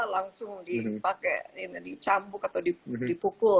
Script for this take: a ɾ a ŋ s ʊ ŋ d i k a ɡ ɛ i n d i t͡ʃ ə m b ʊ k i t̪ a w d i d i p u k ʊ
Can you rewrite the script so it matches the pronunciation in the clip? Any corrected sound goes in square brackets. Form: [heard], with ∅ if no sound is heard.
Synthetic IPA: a [l] a ŋ s ʊ ŋ d i [p] a [k] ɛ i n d i t͡ʃ [a] m b ʊ k [a] t̪ a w d i d i p u k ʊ